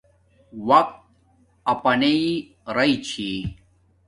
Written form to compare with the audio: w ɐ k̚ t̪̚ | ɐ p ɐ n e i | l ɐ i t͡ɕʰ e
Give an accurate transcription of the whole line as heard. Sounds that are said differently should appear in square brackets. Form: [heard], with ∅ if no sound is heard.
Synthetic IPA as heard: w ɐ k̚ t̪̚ | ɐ p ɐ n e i | [ɾ] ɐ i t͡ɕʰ [i]